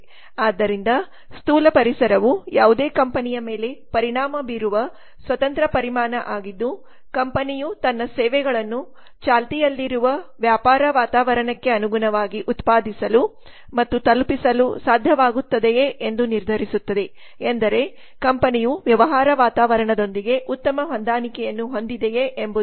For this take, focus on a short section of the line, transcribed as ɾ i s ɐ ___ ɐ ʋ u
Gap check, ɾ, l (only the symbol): ɾ